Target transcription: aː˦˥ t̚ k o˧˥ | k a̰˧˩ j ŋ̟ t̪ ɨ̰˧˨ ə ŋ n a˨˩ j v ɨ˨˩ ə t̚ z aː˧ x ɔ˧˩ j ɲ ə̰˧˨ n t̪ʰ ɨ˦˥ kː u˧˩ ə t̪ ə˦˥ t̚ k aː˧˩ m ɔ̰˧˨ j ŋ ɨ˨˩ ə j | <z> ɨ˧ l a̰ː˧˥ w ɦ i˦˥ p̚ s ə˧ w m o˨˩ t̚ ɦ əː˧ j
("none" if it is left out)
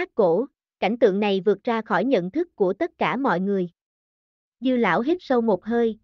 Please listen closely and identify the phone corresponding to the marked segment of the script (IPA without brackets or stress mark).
z